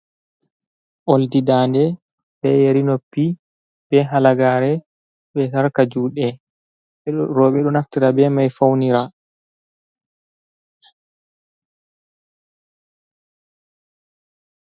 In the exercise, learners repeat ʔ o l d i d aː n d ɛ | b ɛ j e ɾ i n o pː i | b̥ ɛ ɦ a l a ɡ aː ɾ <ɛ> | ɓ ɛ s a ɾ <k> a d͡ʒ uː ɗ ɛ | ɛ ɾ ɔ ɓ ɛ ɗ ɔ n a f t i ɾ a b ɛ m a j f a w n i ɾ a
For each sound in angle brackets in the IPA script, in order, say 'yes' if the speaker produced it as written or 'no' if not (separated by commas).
yes, yes